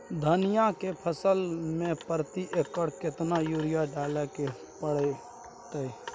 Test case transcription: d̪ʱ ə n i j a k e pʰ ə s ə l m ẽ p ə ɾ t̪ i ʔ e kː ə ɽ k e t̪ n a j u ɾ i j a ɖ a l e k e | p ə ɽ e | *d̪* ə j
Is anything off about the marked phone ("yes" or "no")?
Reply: yes